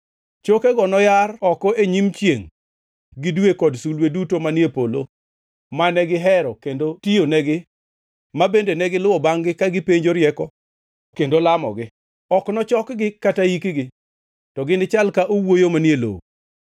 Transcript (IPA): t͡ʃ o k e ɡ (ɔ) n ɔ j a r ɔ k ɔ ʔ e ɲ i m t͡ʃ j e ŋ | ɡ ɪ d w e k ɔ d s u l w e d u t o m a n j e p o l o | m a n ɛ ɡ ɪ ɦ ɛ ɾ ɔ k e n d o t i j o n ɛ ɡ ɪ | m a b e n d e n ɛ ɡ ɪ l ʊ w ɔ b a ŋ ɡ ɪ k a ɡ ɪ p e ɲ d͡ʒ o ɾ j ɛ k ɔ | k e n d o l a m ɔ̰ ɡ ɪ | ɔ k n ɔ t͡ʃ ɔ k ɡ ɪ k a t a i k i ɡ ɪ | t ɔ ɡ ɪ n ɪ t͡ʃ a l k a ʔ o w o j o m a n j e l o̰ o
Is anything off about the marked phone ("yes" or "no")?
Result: no